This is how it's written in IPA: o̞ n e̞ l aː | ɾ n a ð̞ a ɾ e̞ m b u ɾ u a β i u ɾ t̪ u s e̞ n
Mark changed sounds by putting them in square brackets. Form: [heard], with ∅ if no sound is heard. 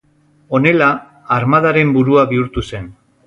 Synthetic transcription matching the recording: o̞ n e̞ l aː | ɾ [m] a ð̞ a ɾ e̞ m b u ɾ u a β i u ɾ t̪ u s e̞ n